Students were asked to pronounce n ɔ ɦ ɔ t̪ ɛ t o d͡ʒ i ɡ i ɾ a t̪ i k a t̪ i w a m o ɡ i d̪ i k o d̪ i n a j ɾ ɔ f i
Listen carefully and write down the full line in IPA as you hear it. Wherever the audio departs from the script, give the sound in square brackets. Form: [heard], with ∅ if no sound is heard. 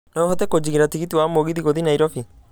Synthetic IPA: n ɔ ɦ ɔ t̪ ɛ [k] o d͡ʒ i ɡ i ɾ a t̪ i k [i] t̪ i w a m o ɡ i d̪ i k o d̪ i n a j ɾ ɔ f i